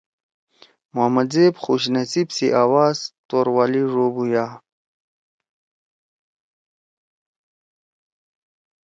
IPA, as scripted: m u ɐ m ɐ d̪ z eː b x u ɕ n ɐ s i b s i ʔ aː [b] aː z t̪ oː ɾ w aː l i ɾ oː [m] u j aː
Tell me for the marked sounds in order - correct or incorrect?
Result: incorrect: w, incorrect: b

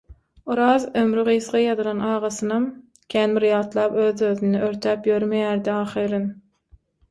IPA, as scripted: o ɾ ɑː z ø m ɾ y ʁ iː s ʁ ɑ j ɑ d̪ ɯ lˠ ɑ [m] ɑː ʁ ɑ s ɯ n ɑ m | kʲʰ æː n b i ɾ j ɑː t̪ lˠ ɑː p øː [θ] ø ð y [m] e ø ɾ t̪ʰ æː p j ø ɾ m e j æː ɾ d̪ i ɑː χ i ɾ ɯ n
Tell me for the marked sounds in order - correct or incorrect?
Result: incorrect: n, incorrect: ð, incorrect: n

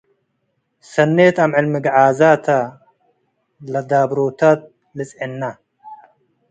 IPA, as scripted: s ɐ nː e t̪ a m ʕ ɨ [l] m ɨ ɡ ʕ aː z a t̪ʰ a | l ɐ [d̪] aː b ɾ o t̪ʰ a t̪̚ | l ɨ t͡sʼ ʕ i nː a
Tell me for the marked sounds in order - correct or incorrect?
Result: correct, correct

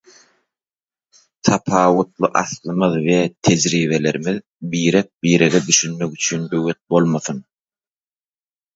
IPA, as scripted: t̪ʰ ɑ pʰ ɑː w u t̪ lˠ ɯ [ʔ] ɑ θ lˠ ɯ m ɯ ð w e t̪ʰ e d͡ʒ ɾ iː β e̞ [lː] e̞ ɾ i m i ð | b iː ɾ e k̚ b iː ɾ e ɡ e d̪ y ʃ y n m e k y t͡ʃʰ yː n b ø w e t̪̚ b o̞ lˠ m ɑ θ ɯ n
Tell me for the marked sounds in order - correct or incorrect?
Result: correct, incorrect: l

